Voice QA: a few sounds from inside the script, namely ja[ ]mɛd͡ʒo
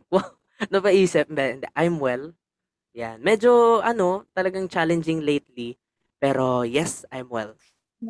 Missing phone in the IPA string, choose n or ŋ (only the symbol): n